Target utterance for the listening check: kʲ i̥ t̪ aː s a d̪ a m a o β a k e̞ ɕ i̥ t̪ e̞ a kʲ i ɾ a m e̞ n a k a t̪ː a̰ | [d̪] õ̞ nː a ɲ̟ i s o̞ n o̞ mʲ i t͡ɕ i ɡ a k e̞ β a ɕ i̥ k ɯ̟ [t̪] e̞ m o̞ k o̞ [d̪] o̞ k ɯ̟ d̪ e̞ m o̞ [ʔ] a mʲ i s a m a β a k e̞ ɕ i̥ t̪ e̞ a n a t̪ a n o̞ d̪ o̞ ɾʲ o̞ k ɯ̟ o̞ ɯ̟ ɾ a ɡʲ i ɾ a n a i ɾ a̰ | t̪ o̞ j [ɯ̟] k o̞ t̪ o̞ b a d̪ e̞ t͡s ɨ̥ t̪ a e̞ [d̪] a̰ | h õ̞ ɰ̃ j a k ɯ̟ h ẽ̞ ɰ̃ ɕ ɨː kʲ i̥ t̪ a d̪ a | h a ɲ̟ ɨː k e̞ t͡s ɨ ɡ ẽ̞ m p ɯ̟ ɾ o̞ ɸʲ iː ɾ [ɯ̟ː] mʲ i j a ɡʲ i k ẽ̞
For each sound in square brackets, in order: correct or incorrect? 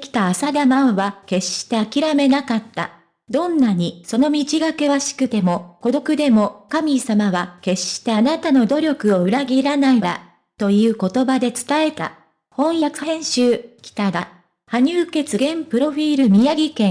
correct, correct, correct, incorrect: k, incorrect: ɯ̟ː, incorrect: t̪, incorrect: ɯ̟

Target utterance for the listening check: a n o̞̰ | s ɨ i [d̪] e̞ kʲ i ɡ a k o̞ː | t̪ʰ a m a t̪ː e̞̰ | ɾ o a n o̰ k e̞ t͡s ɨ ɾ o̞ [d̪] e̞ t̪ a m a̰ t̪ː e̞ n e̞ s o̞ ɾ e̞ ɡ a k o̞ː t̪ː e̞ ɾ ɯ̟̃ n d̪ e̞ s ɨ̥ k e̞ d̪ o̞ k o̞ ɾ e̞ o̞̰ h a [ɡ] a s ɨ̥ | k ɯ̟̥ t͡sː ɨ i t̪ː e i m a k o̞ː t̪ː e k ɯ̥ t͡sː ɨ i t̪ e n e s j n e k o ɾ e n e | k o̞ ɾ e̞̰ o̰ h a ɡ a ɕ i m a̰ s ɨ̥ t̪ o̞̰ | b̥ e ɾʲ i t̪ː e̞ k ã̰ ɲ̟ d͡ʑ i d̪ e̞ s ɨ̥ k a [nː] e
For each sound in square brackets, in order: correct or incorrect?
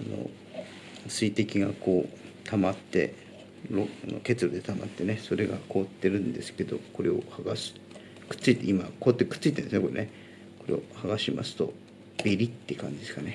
incorrect: t̪, correct, correct, incorrect: n

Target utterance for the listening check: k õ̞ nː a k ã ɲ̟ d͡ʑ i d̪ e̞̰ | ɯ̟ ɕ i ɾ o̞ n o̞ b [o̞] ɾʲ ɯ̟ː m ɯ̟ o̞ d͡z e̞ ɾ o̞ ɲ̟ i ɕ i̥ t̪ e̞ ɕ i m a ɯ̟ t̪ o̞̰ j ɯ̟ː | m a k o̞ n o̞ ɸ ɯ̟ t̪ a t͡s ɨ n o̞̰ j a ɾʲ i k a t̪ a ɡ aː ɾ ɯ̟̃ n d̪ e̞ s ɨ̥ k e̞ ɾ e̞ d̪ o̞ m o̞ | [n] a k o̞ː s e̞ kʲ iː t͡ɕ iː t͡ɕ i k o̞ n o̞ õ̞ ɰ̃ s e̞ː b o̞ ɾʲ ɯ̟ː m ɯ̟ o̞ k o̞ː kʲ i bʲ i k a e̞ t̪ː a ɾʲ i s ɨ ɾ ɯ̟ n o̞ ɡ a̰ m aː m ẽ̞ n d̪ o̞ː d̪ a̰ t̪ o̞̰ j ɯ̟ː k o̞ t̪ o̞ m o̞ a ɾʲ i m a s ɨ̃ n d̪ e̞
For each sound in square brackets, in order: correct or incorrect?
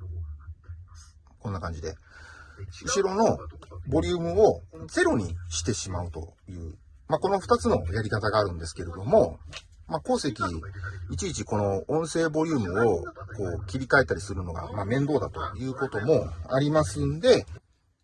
correct, incorrect: m

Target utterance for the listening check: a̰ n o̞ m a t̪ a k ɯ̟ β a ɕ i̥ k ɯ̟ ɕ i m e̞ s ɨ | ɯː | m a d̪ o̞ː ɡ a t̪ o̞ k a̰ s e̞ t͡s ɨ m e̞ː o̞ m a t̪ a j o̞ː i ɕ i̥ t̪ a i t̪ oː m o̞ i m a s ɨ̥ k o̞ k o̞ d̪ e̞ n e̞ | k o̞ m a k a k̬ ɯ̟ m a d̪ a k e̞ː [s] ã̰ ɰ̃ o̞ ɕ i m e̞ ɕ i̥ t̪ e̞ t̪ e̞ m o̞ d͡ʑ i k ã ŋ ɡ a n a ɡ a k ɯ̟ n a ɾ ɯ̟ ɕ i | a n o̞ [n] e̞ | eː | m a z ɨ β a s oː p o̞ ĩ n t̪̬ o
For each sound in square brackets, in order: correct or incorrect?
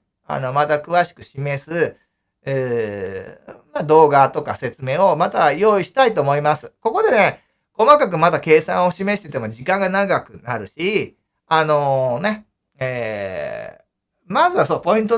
correct, correct

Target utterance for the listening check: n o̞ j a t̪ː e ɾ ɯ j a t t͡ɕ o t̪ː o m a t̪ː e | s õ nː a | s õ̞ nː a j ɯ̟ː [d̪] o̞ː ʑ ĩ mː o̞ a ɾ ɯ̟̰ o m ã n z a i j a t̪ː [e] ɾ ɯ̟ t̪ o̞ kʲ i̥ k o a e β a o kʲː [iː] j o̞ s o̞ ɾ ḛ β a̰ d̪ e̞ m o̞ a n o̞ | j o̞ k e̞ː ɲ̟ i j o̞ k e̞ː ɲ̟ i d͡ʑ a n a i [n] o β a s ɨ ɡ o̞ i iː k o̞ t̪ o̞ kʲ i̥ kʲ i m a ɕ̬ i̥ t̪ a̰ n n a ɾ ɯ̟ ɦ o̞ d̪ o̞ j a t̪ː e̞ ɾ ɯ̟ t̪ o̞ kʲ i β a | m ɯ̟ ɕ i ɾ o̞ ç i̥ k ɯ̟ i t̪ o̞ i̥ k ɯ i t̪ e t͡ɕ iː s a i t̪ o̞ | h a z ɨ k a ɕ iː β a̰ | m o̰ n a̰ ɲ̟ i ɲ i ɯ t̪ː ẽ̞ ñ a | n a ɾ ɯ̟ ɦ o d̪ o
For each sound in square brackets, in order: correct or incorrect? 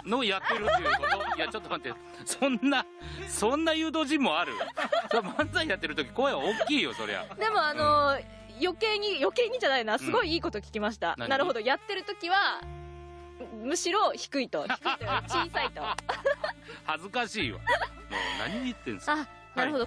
correct, correct, correct, correct

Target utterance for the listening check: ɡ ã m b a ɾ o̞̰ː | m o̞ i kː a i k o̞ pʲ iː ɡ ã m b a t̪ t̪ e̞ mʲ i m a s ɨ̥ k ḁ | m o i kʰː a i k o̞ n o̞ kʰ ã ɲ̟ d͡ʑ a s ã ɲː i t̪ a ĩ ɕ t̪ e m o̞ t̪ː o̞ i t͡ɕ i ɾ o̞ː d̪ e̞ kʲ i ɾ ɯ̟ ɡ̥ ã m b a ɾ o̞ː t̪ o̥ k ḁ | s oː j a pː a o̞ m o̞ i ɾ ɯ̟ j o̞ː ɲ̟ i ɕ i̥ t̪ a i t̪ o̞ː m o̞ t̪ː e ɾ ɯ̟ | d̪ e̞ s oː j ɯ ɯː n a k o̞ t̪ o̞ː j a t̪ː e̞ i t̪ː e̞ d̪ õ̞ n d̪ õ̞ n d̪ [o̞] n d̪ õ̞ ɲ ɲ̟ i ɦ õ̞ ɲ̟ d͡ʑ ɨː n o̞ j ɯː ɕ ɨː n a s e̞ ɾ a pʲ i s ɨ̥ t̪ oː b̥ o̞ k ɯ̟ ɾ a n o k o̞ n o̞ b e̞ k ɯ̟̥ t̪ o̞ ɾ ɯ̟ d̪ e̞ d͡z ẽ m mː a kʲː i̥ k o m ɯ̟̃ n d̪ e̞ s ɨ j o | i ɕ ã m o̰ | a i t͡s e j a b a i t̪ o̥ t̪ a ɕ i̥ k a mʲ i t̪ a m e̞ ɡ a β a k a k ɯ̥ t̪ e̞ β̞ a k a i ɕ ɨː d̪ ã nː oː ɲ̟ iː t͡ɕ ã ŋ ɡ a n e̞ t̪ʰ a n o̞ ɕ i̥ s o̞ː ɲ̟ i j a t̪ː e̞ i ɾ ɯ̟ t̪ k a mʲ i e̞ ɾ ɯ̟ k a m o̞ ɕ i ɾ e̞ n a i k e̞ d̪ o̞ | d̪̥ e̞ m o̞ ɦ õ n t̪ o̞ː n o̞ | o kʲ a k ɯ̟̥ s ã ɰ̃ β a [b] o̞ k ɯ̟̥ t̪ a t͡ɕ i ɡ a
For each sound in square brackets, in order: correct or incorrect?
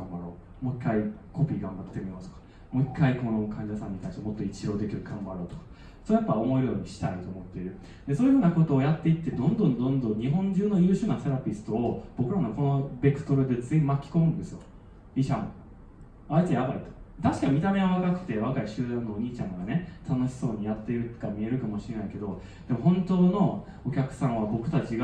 incorrect: õ̞, correct

